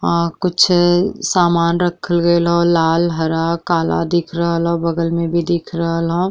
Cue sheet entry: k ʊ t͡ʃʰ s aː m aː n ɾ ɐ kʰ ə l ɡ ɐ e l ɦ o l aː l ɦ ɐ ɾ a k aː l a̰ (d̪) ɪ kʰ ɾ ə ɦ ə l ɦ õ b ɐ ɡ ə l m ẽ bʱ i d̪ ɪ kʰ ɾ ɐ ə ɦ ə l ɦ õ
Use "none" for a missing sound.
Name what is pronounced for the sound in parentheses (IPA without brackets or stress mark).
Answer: d̪